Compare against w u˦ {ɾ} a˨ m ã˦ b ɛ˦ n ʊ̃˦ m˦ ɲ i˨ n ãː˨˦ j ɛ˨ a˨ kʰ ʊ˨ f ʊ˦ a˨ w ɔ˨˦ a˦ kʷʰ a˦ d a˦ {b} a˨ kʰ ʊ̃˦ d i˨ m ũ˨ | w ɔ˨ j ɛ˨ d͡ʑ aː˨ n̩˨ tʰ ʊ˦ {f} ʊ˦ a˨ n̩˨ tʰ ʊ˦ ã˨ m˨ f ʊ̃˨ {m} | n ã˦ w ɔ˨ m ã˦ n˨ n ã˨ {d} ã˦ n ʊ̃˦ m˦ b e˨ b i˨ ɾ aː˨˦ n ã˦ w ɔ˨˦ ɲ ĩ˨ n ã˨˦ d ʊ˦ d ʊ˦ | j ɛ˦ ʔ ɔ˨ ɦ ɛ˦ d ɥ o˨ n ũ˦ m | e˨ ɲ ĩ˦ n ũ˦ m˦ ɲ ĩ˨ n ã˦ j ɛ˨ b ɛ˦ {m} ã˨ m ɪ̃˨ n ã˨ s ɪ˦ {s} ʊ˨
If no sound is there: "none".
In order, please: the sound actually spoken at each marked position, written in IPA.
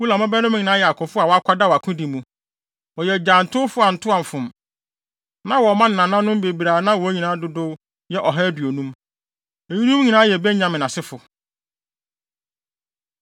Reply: l, w, f, m, n, ɲ, f

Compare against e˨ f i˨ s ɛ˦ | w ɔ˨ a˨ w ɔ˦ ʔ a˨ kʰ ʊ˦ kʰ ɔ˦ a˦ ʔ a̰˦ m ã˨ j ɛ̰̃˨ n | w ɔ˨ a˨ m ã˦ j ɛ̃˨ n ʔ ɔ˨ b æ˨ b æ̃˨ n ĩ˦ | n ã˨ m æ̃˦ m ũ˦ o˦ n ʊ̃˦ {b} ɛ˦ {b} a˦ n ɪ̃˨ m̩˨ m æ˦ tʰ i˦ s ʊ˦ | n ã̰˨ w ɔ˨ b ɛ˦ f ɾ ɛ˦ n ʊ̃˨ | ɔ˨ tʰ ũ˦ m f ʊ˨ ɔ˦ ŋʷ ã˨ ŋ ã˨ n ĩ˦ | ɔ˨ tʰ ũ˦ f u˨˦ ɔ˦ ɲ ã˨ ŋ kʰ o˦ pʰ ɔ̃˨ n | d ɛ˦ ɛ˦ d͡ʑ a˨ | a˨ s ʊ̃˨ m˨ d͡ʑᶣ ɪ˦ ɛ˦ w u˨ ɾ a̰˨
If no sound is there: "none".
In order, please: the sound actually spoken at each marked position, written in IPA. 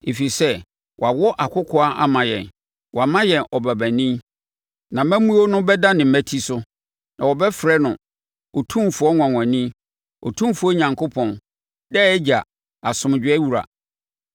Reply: b, d

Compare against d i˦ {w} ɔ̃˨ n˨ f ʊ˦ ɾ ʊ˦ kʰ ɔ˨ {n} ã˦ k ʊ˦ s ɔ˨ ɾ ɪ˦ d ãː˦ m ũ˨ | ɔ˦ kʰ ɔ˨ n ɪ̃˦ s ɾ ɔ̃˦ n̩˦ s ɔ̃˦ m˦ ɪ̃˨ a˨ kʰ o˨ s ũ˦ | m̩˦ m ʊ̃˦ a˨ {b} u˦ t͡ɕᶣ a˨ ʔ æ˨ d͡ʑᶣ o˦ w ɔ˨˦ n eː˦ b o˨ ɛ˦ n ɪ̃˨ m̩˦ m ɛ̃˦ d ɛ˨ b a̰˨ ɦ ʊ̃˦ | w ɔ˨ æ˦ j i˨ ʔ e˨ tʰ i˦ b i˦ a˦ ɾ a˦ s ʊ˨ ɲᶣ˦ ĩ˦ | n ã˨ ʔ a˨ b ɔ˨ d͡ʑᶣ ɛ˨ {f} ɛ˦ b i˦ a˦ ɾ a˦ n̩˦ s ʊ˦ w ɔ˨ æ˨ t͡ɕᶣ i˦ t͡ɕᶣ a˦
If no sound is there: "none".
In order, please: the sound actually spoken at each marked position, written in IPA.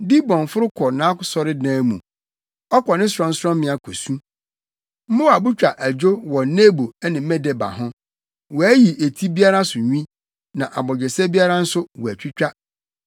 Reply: b, n, b, s

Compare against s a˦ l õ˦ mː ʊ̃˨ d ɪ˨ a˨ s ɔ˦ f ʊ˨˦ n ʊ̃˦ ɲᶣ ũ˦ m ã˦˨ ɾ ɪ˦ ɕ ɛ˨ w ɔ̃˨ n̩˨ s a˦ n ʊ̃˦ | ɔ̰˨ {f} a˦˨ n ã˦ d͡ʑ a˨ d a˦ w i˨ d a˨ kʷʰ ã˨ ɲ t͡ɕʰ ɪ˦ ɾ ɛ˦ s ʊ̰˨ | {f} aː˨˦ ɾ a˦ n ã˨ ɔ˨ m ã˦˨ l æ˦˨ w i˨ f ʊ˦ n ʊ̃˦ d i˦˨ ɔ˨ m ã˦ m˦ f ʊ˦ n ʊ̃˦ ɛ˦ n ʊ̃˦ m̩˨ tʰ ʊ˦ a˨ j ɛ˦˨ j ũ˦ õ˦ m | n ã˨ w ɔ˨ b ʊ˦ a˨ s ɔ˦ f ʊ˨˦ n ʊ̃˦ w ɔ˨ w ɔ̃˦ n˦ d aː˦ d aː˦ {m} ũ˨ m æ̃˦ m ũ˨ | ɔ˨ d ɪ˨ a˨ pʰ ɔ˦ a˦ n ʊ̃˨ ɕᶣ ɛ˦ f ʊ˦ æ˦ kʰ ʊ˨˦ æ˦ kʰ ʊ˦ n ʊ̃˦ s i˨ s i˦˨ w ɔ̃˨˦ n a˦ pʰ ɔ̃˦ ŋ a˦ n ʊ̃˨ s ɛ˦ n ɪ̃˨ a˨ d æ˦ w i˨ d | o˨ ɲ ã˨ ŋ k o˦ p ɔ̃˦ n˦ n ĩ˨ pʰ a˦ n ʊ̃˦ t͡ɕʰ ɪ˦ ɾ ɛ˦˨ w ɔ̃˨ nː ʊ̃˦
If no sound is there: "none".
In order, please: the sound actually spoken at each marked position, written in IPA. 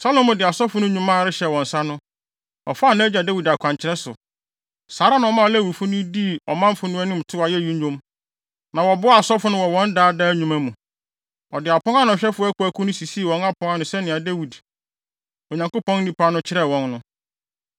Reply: f, s, ɲ

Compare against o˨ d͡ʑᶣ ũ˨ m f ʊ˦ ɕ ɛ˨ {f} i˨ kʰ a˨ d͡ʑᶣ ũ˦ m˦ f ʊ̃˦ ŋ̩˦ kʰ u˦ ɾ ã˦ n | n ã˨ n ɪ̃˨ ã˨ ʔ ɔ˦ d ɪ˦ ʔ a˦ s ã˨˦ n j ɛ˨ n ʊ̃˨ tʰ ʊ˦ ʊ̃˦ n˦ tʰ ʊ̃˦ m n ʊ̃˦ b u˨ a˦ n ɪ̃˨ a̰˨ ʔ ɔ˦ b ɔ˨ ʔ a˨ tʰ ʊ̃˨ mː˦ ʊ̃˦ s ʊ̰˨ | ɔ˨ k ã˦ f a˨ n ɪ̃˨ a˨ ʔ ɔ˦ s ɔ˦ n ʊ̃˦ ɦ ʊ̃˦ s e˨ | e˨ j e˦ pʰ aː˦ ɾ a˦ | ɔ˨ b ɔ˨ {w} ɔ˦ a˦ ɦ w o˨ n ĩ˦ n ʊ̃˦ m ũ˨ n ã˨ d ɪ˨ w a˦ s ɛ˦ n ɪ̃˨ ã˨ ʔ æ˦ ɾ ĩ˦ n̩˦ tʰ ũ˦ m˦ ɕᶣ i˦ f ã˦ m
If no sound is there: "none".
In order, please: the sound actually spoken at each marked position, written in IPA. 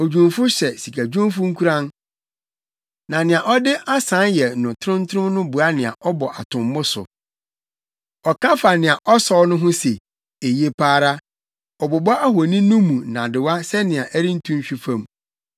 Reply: s, b

